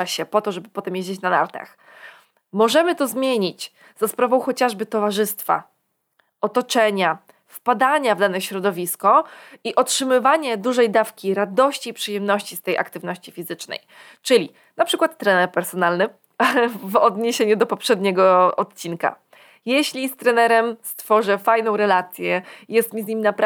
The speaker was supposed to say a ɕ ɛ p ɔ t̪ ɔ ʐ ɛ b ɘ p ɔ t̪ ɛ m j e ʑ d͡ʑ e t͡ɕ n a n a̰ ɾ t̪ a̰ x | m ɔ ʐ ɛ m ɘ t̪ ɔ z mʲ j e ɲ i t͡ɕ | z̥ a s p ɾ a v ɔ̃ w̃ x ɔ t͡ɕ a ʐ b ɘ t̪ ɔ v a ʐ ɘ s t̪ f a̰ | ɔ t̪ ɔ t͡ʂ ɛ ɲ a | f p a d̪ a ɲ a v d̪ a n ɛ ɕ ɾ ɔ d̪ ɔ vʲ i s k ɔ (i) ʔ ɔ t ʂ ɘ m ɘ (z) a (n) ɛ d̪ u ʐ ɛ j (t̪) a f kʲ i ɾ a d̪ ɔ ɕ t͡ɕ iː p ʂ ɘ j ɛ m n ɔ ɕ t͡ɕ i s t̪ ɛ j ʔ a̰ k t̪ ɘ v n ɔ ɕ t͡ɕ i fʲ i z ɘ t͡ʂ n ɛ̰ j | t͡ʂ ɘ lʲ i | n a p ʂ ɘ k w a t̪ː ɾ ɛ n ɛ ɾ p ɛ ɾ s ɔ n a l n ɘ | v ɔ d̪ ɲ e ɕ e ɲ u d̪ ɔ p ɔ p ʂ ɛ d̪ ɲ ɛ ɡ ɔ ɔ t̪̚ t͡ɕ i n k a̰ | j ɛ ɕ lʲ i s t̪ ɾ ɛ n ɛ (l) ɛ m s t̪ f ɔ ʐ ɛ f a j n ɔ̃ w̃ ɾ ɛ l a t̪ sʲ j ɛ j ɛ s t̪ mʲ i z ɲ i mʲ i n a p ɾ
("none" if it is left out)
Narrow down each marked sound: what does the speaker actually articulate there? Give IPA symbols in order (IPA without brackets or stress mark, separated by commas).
i, v, ɲ, d̪, ɾ